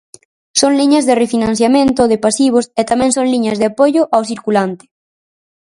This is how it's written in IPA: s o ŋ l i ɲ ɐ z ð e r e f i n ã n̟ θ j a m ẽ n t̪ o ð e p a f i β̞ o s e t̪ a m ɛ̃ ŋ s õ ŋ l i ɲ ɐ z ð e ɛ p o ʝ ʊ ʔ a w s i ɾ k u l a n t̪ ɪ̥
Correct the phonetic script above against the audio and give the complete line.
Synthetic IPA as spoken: s o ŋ l i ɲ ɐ z ð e r e f i n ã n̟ θ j a m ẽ n t̪ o ð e p a s i β̞ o s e t̪ a m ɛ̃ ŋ s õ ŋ l i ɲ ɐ z ð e a p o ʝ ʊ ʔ a w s i ɾ k u l a n t̪ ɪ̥